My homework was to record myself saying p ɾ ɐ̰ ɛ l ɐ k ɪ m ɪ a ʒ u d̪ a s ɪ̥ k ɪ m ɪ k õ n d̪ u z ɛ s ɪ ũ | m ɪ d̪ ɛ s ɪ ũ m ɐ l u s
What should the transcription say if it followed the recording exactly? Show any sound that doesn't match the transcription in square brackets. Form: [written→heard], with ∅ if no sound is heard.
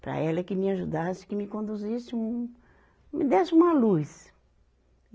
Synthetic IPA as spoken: p ɾ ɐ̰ ɛ l ɐ k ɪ m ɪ a ʒ u d̪ a s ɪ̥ k ɪ m ɪ k õ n d̪ u z [ɛ→i] s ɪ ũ | m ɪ d̪ ɛ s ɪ ũ m ɐ l u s